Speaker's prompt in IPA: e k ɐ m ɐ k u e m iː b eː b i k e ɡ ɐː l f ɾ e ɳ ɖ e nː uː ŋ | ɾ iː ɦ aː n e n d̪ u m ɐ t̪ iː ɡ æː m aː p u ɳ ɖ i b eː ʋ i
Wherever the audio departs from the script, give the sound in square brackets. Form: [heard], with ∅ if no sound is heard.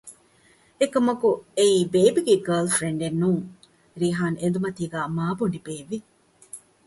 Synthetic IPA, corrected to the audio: e k ɐ m ɐ k u e [∅] iː b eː b i [ɡ] e ɡ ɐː l f ɾ e ɳ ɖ e nː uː ŋ | ɾ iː ɦ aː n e n d̪ u m ɐ t̪ iː ɡ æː m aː [b] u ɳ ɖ i b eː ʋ i